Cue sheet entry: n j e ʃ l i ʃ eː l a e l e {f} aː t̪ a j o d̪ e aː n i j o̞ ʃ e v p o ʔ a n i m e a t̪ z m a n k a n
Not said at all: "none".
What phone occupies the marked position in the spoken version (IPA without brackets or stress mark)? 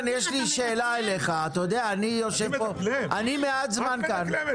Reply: χ